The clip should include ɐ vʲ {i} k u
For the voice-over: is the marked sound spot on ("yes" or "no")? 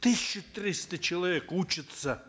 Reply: no